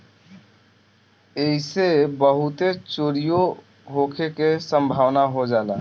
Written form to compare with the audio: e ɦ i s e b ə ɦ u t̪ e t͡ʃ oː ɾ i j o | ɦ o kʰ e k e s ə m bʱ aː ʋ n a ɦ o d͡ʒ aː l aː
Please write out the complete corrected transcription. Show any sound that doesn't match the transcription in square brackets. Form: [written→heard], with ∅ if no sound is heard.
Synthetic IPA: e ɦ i s e b ə ɦ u t̪ e t͡ʃ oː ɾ i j o | ɦ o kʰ e k e s ə m bʱ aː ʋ n a ɦ o d͡ʒ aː l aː